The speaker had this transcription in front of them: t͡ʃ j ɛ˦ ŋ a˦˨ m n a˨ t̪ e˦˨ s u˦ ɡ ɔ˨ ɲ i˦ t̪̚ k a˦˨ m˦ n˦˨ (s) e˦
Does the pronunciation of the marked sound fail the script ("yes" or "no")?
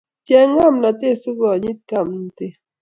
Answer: yes